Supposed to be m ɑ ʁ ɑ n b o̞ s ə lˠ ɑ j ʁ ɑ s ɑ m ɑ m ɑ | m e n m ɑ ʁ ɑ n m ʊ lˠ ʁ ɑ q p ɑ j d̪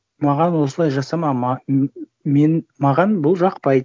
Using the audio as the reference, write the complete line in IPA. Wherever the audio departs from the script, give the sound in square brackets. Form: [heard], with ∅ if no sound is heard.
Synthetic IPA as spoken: m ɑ ʁ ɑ n [w] o̞ s ə lˠ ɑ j [ʒ] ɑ s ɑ m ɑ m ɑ | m e n m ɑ ʁ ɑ n [b] ʊ lˠ [ʒ] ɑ q p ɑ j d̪